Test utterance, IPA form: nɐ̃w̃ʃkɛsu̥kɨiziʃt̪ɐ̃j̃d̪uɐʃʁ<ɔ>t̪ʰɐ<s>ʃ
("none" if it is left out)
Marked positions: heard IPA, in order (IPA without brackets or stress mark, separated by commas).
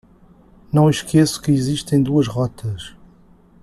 ɔ, none